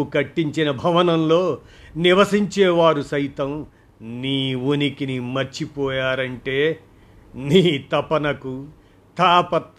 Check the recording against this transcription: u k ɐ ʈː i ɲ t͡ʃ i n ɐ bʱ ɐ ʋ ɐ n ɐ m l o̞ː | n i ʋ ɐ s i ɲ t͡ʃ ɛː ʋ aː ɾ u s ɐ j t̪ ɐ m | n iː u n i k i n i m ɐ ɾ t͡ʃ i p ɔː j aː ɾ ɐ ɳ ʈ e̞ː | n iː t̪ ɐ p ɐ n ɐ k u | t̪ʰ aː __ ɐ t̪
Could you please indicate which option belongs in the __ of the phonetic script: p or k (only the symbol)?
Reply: p